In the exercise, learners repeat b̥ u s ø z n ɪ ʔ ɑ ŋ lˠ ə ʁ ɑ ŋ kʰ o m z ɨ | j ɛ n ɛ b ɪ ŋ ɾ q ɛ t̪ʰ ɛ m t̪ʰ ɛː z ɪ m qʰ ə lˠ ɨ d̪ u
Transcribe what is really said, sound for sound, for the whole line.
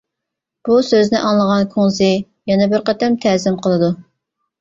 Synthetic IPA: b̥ u s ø z n ɪ ʔ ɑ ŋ lˠ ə ʁ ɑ n kʰ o ŋ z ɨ | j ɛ n ɛ b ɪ ɾ q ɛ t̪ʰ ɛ m t̪ʰ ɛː z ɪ m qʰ ə lˠ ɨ d̪ u